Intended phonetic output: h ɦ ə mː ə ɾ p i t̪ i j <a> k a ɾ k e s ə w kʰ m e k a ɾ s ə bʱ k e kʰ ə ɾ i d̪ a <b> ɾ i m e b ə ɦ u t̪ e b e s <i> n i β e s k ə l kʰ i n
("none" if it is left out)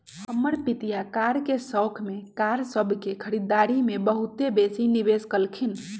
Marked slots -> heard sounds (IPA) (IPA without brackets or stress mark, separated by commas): a, none, i